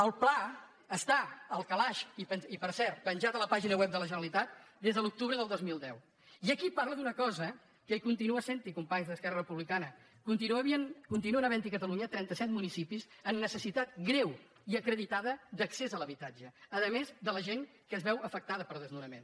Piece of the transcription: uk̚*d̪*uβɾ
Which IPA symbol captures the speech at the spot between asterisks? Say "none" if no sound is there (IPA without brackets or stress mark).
t̪